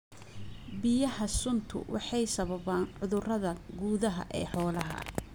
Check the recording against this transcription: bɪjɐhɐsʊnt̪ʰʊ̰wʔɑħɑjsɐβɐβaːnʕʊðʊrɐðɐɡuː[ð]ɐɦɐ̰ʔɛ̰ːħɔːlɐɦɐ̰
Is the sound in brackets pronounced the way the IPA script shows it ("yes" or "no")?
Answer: yes